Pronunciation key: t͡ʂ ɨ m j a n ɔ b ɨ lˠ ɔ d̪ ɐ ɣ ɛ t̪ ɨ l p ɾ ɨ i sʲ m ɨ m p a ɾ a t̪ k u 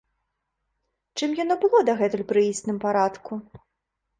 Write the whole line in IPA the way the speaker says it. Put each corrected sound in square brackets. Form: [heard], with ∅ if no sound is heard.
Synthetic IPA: t͡ʂ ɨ m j a n ɔ b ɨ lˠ ɔ d̪ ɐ ɣ ɛ t̪ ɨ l p ɾ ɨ i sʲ [n] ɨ m p a ɾ a t̪ k u